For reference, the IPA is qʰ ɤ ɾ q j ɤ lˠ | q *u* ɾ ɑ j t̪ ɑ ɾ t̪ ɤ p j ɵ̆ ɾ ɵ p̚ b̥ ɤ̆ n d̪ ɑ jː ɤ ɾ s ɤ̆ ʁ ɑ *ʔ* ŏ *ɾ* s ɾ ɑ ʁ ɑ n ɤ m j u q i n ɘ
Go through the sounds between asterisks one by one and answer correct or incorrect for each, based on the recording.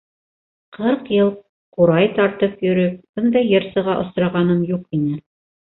correct, correct, incorrect

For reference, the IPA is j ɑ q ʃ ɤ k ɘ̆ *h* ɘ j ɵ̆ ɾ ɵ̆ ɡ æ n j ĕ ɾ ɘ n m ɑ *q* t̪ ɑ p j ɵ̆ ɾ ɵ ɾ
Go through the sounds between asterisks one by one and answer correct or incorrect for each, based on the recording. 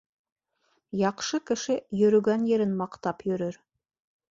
incorrect, correct

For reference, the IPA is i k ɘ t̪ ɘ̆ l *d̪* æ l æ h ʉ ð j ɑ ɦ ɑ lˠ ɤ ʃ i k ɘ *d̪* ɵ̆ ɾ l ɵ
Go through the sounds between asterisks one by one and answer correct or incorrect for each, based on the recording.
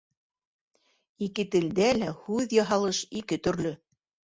correct, incorrect

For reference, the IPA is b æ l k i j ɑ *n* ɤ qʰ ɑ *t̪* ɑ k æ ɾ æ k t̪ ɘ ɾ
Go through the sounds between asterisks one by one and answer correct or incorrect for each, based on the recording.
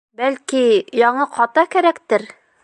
incorrect, correct

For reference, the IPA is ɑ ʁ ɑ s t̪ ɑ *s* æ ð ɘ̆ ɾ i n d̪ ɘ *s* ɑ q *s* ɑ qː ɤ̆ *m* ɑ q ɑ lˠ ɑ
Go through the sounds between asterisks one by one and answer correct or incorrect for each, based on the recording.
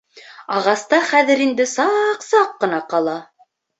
incorrect, correct, correct, incorrect

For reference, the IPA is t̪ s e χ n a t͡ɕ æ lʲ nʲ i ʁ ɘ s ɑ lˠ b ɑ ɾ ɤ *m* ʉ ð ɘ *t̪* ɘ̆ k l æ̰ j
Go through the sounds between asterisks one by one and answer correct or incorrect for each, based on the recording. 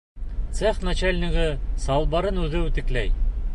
incorrect, correct

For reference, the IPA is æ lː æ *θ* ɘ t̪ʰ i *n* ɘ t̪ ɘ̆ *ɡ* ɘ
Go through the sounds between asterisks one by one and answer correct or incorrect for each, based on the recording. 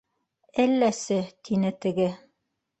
incorrect, correct, correct

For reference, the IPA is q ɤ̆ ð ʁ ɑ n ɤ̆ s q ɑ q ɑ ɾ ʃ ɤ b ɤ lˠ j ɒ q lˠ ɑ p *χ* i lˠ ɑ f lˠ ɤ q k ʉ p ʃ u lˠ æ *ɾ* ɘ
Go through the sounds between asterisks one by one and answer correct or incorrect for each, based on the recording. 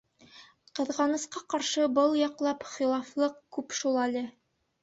correct, incorrect

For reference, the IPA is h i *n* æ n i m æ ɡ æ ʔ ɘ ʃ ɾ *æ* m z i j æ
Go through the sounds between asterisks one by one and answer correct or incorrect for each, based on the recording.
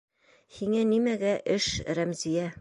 incorrect, correct

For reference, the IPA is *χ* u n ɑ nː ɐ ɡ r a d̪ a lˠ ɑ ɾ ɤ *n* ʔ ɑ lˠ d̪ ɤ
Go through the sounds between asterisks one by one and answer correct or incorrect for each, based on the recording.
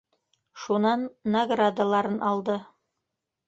incorrect, correct

